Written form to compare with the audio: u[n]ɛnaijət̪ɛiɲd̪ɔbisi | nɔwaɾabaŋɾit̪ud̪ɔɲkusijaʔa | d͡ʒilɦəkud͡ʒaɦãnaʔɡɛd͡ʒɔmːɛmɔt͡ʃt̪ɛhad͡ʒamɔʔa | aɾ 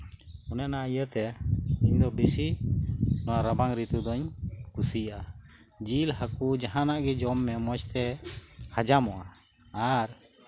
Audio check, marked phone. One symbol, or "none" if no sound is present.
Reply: n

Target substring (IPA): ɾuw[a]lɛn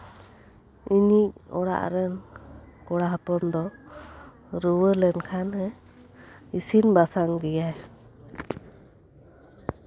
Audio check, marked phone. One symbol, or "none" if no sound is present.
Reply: ə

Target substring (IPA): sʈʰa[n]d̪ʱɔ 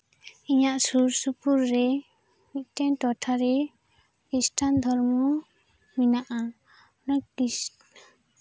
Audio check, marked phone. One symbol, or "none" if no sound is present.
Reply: n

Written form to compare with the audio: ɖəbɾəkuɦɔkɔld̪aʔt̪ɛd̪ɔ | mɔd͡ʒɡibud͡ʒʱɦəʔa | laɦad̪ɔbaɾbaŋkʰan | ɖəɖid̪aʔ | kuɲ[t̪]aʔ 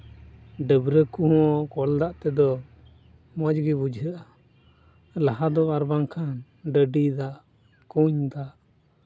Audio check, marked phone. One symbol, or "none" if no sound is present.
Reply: d̪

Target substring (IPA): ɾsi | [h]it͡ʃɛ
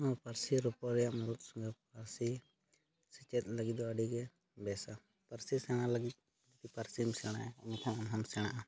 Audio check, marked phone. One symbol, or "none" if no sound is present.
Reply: s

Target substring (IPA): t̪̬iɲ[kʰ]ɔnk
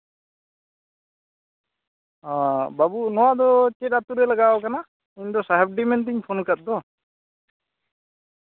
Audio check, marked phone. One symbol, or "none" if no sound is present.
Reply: pʰ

